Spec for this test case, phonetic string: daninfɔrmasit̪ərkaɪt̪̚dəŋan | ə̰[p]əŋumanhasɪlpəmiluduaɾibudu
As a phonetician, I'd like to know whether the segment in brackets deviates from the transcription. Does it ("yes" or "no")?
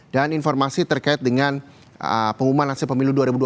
no